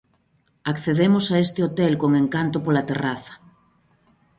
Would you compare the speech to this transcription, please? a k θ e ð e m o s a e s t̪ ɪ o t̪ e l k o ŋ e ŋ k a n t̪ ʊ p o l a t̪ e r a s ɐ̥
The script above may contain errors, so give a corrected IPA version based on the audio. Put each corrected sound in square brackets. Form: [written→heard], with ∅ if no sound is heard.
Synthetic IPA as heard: a k θ e ð e m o s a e s t̪ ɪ o t̪ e l k o ŋ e ŋ k a n t̪ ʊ p o l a t̪ e r a [s→θ] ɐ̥